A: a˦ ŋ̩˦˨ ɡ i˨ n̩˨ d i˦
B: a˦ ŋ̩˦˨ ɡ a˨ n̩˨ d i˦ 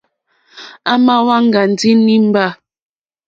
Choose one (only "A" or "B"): B